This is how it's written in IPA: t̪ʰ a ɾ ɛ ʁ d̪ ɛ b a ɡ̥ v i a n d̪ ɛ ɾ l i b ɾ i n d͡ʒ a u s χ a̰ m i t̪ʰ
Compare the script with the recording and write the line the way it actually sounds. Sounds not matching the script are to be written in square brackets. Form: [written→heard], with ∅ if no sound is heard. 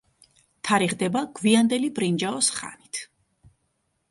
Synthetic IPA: t̪ʰ a ɾ [ɛ→i] ʁ d̪ ɛ b a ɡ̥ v i a n d̪ ɛ [ɾ→∅] l i b ɾ i n d͡ʒ a [u→ɔ] s χ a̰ [m→n] i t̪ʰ